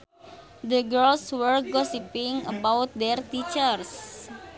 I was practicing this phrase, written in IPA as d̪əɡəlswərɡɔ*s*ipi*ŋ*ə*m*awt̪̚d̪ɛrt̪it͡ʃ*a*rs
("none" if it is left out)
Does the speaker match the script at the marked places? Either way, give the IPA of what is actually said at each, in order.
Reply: s, ŋ, b, ə

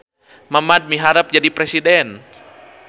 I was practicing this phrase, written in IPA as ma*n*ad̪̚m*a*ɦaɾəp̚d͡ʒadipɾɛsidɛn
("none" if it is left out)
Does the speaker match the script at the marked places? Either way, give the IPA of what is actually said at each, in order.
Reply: m, i

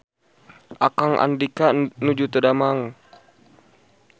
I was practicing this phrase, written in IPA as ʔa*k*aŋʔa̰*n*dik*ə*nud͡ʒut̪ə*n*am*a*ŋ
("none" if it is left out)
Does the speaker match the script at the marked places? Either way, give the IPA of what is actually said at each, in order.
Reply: k, n, a, d, a

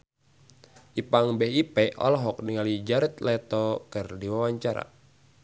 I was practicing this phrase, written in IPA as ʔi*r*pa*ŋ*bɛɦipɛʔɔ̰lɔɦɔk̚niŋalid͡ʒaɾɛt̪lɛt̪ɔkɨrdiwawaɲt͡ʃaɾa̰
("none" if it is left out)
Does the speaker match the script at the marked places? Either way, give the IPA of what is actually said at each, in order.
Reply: none, ŋ

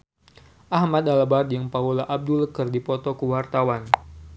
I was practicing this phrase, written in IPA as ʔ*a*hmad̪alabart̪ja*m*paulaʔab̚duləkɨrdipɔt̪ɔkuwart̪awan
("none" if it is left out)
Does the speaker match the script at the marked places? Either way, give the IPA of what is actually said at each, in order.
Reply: a, ŋ

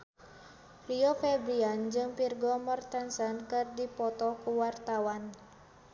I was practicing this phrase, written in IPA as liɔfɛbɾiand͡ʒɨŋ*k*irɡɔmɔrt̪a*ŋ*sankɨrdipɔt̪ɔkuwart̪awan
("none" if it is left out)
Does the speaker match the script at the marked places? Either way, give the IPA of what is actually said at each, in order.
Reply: p, n

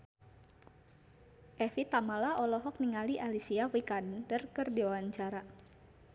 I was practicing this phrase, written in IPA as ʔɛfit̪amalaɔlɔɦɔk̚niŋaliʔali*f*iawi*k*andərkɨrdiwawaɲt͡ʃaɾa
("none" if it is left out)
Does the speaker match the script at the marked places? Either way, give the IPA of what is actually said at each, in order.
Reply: s, k

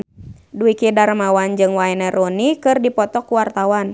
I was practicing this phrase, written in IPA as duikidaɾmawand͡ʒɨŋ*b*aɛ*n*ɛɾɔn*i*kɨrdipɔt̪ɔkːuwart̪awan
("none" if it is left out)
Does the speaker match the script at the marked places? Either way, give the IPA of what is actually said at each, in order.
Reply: w, n, i

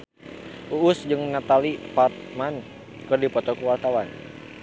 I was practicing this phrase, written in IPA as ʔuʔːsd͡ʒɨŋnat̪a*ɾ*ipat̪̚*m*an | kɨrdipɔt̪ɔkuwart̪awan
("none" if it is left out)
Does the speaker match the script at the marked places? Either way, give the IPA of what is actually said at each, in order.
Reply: l, m

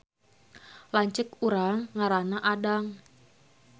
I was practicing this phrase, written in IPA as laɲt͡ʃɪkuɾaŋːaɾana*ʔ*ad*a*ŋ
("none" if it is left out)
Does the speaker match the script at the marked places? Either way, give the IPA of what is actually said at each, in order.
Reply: ʔ, a

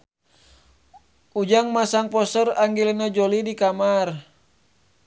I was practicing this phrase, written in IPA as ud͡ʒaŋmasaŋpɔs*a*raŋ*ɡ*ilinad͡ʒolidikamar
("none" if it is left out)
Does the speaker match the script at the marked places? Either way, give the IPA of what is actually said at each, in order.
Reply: ə, ɡ

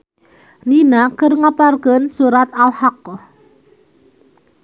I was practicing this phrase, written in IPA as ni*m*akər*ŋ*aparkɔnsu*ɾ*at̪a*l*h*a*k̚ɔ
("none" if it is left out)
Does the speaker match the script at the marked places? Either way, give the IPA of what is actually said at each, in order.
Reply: n, ŋ, ɾ, l, a

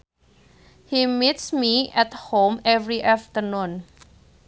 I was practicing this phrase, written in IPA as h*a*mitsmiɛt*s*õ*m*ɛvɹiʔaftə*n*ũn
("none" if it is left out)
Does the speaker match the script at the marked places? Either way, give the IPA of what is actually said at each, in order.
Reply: i, h, m, n

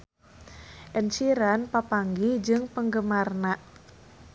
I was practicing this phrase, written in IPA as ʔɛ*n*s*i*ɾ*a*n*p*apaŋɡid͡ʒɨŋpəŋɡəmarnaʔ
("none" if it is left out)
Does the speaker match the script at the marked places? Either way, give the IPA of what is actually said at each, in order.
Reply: n, i, a, p

